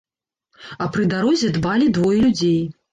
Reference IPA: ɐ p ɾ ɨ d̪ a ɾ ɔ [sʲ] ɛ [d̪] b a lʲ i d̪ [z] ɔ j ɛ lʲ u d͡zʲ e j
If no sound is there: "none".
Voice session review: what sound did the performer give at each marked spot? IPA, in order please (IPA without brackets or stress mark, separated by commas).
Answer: zʲ, d̪, v